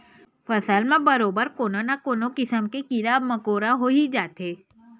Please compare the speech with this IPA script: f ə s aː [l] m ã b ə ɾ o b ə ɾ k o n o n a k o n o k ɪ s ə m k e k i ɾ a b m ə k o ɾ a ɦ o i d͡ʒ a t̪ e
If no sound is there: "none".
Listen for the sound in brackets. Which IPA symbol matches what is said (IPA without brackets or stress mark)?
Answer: l